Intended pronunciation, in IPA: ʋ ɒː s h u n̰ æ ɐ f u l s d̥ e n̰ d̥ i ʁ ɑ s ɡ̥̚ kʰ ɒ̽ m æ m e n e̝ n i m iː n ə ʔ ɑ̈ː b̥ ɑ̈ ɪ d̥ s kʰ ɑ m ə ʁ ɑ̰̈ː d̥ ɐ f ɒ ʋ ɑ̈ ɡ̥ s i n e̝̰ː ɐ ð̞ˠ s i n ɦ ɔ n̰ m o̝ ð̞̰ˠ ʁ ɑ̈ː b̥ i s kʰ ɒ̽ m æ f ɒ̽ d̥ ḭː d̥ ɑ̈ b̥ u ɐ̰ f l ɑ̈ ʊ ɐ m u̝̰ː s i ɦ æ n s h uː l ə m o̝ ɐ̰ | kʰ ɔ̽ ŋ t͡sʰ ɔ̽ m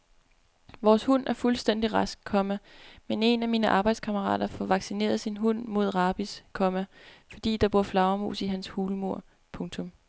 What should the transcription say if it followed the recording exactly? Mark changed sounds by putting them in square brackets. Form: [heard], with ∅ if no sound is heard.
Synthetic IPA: ʋ ɒː s h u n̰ æ ɐ f u l s d̥ e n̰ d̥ i ʁ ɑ s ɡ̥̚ kʰ ɒ̽ m æ m e n e̝ n [æ] m iː n ə ʔ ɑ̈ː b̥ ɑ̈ ɪ d̥ s kʰ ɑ m ə ʁ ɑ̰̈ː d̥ ɐ f ɒ ʋ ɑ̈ ɡ̥ s i n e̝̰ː ɐ ð̞ˠ s i n ɦ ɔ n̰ m o̝ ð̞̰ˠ ʁ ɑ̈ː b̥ i s kʰ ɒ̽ m æ f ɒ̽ d̥ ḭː d̥ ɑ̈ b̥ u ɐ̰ f l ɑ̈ ʊ ɐ m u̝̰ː s i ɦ æ n s h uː l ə m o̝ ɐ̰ | [pʰ] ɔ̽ ŋ t͡sʰ ɔ̽ m